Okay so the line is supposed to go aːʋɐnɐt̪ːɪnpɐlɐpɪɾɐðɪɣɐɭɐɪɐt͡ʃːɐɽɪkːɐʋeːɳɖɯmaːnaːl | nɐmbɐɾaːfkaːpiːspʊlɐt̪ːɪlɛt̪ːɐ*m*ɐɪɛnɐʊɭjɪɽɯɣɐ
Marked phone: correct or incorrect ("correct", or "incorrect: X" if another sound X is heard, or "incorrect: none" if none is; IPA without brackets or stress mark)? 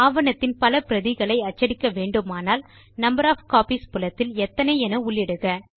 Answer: incorrect: n